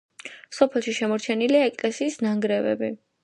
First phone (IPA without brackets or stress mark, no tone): s